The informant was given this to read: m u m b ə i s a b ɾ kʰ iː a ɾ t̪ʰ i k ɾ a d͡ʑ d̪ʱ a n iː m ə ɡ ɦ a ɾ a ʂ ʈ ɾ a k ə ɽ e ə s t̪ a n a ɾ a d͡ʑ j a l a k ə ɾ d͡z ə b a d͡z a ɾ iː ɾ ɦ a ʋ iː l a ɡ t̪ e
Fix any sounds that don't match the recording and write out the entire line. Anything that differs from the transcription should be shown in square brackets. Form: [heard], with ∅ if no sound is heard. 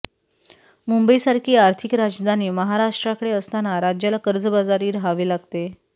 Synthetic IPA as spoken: m u m b ə i s a [∅] ɾ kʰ iː a ɾ t̪ʰ i k ɾ a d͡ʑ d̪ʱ a n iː m ə [∅] ɦ a ɾ a ʂ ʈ ɾ a k ə ɽ e ə s t̪ a n a ɾ a d͡ʑ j a l a k ə ɾ d͡z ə b a d͡z a ɾ iː ɾ ɦ a ʋ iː l a ɡ t̪ e